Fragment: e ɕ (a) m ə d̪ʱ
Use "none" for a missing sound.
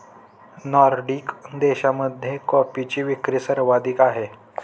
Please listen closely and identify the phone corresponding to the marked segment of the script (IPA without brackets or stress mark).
a